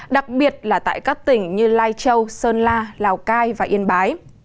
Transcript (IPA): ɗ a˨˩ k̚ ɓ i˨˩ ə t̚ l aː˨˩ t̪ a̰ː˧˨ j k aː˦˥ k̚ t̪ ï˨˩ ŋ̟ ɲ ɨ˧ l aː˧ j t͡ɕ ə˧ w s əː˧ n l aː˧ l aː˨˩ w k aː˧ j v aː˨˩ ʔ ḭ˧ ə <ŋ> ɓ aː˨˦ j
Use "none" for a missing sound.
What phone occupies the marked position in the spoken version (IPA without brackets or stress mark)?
n